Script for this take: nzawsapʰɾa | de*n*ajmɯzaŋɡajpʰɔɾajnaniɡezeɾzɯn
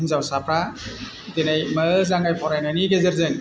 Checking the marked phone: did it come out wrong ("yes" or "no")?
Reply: no